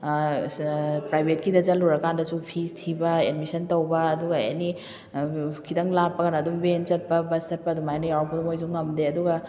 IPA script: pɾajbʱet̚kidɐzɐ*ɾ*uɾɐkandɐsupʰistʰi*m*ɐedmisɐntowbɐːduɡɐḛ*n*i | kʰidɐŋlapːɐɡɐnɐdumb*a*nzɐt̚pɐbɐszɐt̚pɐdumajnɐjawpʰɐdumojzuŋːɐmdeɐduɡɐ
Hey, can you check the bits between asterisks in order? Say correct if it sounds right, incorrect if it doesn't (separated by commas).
incorrect, incorrect, correct, incorrect